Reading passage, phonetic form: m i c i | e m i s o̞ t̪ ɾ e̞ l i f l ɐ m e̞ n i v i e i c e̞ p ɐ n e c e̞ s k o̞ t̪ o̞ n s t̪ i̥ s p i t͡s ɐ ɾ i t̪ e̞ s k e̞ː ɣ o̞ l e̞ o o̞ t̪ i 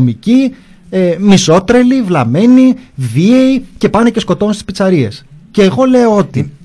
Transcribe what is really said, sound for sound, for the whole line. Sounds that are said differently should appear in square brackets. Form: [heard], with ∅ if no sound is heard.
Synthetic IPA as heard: m i c i | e m i s o̞ t̪ ɾ e̞ l i [v] l ɐ m e̞ n i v i e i c e̞ p ɐ n e c e̞ s k o̞ t̪ o̞ n s t̪ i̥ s p i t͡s ɐ ɾ i [∅] e̞ s [c] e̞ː ɣ o̞ l e̞ o o̞ t̪ i